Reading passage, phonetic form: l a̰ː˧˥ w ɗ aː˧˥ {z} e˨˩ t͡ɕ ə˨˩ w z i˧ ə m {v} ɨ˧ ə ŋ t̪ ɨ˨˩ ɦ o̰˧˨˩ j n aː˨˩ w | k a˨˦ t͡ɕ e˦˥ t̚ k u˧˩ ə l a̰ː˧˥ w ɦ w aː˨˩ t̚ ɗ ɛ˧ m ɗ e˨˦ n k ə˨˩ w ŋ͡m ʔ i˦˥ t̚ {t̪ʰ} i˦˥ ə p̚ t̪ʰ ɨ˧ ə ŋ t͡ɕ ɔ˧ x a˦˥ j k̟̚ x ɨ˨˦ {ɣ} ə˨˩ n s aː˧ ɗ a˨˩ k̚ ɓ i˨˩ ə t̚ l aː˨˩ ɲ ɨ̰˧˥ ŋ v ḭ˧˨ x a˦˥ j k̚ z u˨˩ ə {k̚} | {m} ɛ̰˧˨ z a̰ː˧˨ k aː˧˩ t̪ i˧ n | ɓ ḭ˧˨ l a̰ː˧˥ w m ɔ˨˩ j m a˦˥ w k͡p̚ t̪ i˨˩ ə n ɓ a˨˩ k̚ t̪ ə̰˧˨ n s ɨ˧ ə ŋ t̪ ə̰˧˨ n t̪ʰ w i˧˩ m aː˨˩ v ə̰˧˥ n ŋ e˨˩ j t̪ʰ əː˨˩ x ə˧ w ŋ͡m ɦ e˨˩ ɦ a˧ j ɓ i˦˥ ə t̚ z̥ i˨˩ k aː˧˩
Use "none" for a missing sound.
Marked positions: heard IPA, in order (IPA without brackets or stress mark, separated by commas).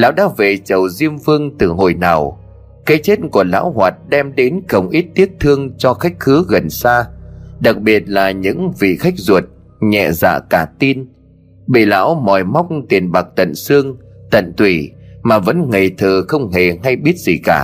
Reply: v, v, t̪, ɣ, t̚, ɲ